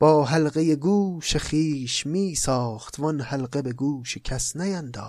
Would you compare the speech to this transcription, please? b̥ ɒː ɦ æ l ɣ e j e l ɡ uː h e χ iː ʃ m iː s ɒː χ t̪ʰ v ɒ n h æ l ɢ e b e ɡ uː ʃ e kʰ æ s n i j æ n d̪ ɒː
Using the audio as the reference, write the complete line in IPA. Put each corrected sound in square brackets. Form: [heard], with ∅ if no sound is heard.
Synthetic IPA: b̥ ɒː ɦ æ l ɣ e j e [∅] ɡ uː [ʃ] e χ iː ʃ m iː s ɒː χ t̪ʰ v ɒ n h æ l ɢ e b e ɡ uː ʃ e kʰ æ s n [æ] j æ n d̪ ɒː